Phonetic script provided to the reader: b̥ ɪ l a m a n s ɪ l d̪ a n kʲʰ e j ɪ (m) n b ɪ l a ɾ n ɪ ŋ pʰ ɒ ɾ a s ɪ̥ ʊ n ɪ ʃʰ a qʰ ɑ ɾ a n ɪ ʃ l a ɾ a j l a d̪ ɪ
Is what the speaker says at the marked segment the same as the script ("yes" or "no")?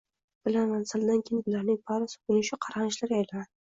no